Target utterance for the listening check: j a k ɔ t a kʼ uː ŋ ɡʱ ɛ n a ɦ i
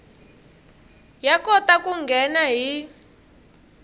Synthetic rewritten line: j a k ɔ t a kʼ u ŋ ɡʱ ɛ n a ɦ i